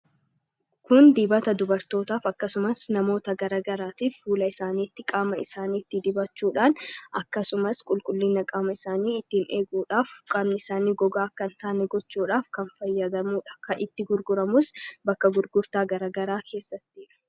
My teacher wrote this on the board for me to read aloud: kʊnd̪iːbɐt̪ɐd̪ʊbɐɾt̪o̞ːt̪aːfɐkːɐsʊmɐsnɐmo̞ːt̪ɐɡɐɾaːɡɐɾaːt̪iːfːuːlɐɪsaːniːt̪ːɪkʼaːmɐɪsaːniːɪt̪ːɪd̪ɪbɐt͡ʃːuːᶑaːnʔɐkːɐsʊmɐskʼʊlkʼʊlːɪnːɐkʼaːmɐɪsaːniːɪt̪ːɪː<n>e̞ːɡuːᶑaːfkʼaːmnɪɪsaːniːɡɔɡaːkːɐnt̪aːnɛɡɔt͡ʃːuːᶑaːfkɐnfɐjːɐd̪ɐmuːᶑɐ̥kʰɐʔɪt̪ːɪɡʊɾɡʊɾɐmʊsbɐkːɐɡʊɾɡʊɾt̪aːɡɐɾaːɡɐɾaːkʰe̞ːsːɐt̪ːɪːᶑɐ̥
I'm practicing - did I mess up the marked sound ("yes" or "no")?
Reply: no